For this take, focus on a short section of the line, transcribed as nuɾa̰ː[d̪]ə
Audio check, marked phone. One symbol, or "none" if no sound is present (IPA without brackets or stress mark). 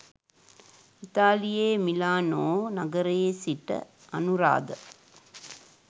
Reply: d̪